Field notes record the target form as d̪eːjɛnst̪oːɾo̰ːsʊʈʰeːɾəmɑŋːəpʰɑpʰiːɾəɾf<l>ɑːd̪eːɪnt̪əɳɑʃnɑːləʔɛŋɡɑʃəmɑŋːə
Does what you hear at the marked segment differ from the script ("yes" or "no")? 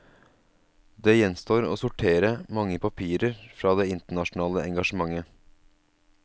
yes